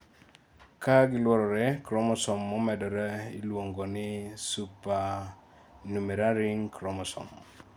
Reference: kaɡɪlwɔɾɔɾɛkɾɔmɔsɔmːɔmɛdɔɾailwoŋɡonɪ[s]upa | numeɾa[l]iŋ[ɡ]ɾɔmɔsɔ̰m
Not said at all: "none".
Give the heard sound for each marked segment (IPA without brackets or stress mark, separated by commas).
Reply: s, ɾ, k